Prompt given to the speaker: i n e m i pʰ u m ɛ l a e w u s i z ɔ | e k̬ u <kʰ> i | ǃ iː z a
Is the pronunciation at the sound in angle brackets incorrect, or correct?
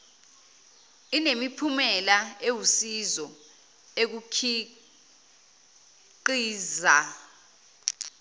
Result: correct